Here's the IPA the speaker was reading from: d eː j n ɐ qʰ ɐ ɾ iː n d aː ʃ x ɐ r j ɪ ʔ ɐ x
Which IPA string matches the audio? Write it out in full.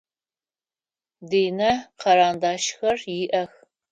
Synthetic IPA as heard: d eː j n ɐ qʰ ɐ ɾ aː n d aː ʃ x ɐ r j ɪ ʔ ɐ x

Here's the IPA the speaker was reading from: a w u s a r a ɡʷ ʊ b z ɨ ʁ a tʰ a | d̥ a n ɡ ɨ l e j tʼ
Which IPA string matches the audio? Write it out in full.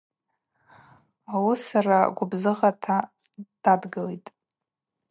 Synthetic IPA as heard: a w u s a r a ɡʷ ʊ b z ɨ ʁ a tʰ a | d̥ a d ɡ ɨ l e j tʼ

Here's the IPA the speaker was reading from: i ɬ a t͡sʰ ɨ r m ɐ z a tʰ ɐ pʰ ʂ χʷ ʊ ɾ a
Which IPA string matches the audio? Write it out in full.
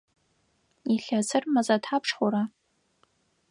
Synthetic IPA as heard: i ɬ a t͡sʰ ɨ r m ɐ z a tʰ a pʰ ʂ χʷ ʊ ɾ a

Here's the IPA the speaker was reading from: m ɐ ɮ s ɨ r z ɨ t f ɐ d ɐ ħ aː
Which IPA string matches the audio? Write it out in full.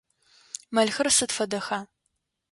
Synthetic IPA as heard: m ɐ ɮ x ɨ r s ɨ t f ɐ d ɐ x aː

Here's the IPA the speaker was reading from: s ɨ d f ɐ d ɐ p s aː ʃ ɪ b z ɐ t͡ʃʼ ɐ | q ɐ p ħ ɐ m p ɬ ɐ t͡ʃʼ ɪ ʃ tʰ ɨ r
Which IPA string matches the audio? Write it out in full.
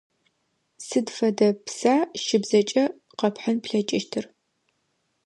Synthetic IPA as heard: s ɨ d f ɐ d ɐ p s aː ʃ ɪ b z ɐ t͡ʃʼ ɐ | q ɐ p ħ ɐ n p ɬ ɐ t͡ʃʼ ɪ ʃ tʰ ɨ r

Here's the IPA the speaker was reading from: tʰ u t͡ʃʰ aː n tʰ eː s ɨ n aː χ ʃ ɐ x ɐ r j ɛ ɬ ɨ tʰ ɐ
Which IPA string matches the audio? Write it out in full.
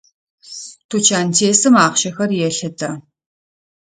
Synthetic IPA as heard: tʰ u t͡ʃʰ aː n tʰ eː s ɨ m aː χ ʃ ɐ x ɐ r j ɛ ɬ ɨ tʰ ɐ

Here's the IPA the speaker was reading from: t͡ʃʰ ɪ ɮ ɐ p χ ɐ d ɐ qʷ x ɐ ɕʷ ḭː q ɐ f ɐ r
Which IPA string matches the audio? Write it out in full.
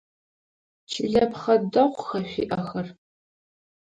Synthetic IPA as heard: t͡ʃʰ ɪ ɮ ɐ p χ ɐ d ɐ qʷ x ɐ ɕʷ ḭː ʔ ɐ x ɐ r

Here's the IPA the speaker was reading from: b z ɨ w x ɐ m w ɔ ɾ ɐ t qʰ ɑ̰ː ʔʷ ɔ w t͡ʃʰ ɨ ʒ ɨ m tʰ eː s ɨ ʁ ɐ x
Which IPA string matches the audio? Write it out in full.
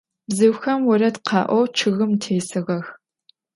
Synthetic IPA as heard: b z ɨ w x ɐ m w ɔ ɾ ɐ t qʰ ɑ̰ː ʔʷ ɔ w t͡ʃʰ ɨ ɣ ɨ m tʰ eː s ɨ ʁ ɐ x

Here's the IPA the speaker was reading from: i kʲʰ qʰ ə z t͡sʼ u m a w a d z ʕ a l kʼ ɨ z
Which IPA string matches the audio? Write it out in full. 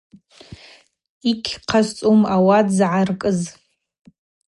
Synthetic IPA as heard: i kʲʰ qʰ a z t͡sʼ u m a w a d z ʕ a r kʼ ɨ z

